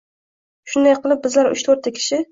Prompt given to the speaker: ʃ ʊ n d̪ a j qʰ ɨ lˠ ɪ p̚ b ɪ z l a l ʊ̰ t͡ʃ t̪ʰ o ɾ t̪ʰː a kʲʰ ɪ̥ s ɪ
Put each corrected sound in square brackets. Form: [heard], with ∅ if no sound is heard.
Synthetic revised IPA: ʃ ʊ n d̪ a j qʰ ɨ lˠ ɪ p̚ b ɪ z l a [ɾ] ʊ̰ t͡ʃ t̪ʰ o ɾ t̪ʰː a kʲʰ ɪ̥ [ʃ] ɪ